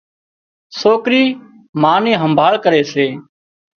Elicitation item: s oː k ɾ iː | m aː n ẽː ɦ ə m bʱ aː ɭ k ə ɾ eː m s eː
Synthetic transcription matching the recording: s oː k ɾ iː | m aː n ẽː ɦ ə m bʱ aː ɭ k ə ɾ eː s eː